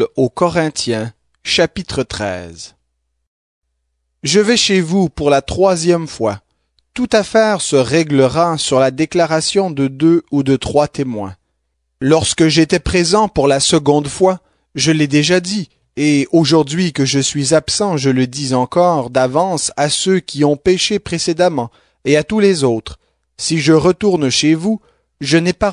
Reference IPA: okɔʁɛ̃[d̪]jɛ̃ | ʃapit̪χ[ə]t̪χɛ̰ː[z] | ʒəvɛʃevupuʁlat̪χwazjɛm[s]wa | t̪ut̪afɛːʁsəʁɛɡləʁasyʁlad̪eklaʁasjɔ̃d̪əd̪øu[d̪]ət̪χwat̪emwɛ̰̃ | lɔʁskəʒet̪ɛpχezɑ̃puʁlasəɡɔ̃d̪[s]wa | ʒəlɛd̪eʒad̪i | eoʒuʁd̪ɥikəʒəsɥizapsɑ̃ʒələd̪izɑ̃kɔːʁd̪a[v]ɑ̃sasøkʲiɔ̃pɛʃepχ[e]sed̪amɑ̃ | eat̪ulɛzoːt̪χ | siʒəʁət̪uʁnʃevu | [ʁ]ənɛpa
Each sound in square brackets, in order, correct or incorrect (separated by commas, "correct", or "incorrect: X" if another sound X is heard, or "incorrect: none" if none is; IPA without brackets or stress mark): incorrect: t̪, correct, correct, incorrect: f, correct, incorrect: f, correct, correct, incorrect: ʒ